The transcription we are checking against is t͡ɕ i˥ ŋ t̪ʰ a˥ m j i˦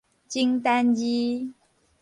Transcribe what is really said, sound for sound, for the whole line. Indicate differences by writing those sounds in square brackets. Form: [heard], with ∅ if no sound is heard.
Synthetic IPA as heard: t͡ɕ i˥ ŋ [t̪] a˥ [n] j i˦